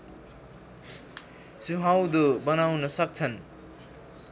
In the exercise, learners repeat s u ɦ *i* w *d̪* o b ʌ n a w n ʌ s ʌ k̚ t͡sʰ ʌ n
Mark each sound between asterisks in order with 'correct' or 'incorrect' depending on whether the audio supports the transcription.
incorrect: a, correct

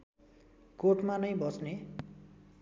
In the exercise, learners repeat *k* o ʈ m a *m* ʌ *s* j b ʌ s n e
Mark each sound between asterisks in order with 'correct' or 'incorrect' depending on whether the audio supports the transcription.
correct, incorrect: n, incorrect: none

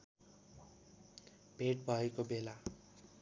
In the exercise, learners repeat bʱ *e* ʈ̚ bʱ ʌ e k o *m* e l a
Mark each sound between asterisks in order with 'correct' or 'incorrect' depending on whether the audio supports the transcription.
correct, incorrect: b

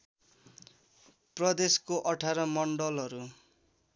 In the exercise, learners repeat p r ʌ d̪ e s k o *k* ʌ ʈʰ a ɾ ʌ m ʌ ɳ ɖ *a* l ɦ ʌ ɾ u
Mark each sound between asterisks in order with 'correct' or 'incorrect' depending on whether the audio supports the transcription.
incorrect: ʔ, incorrect: ʌ

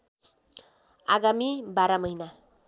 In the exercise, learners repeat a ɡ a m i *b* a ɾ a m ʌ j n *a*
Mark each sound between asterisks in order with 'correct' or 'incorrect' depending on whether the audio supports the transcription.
correct, correct

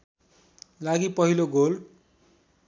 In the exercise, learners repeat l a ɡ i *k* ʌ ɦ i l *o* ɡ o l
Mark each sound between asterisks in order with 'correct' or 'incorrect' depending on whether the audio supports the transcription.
incorrect: p, correct

